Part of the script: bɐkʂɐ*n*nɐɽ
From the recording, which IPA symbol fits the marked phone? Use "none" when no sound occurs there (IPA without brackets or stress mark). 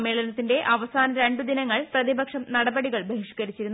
m